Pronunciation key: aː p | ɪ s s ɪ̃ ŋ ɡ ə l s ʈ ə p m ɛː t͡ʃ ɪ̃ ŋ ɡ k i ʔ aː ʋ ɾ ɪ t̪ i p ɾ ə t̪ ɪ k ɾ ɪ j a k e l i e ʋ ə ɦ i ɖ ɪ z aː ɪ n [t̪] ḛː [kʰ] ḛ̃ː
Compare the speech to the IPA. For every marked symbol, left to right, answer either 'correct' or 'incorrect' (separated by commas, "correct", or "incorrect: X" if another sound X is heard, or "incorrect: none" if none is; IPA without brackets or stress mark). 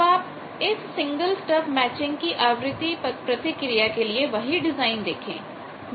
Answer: incorrect: d̪, correct